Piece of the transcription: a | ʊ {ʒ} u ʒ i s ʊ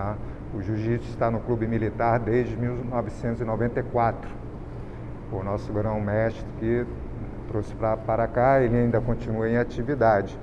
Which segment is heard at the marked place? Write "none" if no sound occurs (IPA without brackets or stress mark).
ʒ